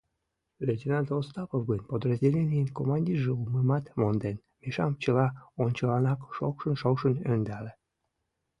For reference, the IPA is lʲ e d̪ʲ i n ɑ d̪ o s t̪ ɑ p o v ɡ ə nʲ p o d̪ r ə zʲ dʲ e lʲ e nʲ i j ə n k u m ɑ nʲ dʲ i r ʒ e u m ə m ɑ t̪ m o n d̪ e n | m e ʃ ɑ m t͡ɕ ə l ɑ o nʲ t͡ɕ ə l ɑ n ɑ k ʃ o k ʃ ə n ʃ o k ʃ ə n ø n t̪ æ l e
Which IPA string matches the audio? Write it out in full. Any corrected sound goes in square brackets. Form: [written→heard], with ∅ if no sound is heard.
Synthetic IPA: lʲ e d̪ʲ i n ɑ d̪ o s t̪ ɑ p o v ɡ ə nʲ p o d̪ r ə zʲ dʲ e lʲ e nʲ i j ə n k [u→o] m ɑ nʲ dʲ i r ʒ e u m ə m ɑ t̪ m o n d̪ e n | m e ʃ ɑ m t͡ɕ ə l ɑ o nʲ t͡ɕ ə l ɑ n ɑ k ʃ o k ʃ ə n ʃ o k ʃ ə n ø n [t̪→d̪] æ l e